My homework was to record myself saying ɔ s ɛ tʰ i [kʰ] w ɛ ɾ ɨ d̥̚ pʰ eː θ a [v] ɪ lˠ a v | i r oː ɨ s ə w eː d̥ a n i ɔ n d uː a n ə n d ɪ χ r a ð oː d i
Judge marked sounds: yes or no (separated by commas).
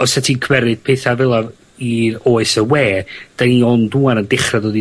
yes, yes